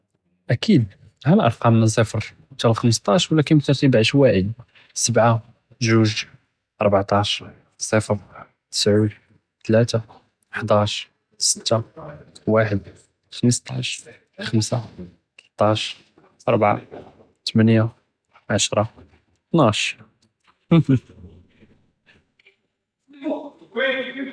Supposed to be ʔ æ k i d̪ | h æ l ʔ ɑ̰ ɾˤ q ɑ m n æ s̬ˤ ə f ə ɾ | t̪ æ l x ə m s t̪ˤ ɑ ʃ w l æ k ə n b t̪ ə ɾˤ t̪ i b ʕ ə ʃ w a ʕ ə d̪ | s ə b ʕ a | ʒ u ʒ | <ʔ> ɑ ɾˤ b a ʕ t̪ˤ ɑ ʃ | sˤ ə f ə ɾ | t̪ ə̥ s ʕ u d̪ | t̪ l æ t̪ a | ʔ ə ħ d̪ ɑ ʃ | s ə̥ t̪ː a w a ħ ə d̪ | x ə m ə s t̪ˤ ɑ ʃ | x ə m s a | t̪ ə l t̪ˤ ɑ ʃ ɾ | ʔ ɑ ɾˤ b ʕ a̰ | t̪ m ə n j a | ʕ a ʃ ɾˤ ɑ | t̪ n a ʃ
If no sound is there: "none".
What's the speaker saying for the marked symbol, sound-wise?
ʔ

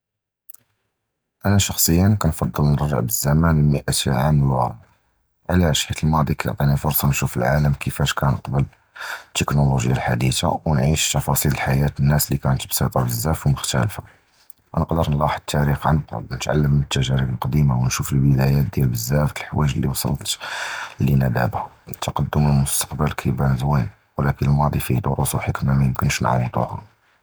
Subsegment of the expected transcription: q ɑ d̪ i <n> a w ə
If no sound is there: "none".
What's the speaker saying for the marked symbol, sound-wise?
m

